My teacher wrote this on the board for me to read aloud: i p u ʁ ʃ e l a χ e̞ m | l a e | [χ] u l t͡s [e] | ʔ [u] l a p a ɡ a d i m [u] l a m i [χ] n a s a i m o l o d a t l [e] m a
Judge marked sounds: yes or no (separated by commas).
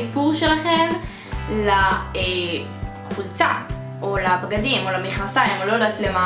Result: yes, no, no, no, yes, yes